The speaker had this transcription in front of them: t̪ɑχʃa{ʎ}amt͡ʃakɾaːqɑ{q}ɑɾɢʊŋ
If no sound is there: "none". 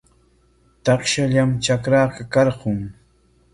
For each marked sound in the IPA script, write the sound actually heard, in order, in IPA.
ʎ, k

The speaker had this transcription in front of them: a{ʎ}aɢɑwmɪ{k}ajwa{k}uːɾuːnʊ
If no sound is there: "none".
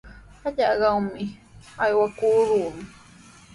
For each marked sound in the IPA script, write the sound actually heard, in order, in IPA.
ʎ, none, k

